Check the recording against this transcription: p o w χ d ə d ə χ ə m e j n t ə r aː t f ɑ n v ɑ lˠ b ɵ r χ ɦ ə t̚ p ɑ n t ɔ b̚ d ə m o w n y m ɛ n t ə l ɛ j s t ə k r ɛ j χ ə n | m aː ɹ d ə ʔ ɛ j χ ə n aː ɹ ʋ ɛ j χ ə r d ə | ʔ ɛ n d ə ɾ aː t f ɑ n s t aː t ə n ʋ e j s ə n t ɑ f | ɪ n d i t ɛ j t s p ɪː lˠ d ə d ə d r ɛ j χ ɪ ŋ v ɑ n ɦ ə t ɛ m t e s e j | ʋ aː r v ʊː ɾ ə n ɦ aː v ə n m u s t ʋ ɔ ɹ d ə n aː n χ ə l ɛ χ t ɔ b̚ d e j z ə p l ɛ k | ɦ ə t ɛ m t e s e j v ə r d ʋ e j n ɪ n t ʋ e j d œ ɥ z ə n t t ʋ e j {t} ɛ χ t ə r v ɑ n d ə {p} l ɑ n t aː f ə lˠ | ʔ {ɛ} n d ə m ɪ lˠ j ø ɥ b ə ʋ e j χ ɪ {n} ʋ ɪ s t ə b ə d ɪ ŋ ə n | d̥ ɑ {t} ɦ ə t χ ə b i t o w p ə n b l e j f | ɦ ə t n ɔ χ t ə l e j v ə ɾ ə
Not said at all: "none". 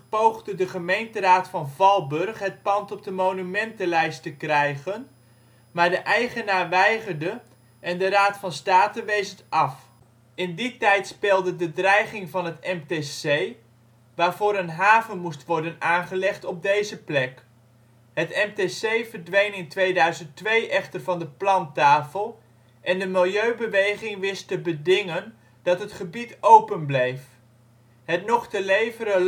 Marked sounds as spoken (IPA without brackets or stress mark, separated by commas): ʔ, p, ɛ, ŋ, t